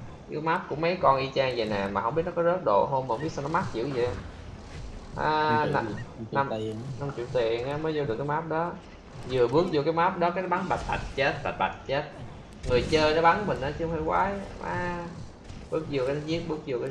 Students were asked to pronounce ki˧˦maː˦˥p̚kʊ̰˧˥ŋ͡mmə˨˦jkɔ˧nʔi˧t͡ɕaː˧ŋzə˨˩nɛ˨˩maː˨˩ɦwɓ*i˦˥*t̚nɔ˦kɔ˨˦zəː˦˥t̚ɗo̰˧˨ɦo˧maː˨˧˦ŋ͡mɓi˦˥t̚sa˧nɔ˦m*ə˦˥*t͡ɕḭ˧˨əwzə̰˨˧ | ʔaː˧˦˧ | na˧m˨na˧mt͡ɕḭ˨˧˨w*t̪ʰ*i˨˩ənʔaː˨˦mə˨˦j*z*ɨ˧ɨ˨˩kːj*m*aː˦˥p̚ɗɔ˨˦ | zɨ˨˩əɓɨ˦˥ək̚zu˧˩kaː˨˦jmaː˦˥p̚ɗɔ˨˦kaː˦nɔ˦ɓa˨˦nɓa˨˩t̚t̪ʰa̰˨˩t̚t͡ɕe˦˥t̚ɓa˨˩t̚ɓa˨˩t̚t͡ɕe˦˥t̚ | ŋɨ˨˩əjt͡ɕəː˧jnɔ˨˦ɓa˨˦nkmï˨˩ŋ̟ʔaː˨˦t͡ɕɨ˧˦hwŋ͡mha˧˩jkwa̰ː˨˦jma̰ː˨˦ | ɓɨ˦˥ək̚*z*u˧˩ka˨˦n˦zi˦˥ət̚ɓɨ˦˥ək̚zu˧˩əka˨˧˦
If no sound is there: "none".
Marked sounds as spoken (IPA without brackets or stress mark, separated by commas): i˦˥, a˦˥, t̪, z, m, z